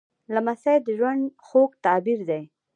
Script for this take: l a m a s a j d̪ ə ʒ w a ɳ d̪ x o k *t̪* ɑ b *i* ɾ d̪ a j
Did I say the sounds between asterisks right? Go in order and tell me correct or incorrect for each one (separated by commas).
correct, correct